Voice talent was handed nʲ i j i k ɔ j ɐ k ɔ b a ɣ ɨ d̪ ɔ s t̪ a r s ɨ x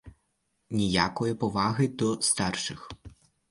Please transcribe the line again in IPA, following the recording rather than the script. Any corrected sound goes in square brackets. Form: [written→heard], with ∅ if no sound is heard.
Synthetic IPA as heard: nʲ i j [i→a] k ɔ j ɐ [k→p] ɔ [b→v] a ɣ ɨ d̪ ɔ s t̪ a r [s→ʂ] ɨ x